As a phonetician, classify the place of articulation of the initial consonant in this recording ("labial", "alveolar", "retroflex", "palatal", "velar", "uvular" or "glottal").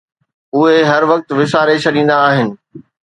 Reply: glottal